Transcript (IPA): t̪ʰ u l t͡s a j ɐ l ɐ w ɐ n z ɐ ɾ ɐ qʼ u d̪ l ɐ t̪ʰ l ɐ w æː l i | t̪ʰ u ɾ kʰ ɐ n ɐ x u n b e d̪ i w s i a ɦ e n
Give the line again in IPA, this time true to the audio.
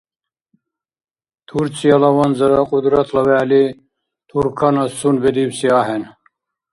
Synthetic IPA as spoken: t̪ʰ u ɾ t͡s i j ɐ l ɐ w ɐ n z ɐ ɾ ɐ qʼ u d̪ ɾ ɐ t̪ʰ l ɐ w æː l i | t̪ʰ u ɾ kʰ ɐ n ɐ s u n b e d̪ i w s i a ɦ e n